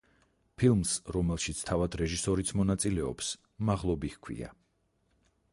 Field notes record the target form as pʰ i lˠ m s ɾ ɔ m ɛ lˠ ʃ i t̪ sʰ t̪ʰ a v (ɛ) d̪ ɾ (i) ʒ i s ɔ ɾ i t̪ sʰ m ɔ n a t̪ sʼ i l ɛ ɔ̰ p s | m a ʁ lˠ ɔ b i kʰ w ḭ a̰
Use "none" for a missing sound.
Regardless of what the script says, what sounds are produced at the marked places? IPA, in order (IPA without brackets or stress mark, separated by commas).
a, ɛ